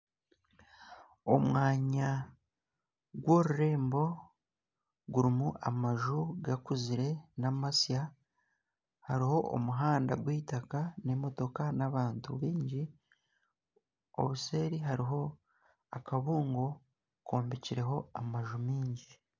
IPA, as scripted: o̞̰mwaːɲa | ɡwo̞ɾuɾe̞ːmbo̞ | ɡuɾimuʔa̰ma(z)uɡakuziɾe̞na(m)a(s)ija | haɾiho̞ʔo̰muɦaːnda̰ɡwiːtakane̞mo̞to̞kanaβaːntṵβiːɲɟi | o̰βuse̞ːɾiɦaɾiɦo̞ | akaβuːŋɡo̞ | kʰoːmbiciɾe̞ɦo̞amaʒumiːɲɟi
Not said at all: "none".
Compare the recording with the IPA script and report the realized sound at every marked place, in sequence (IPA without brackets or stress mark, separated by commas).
ʒ, m, s